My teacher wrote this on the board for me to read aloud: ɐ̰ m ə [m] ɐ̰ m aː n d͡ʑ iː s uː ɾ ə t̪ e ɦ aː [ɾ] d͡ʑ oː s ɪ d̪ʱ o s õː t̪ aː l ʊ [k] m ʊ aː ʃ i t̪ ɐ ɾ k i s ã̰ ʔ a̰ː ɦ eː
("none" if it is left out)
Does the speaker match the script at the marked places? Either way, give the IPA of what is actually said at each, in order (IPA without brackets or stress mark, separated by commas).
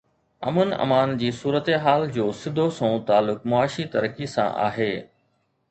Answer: n, l, k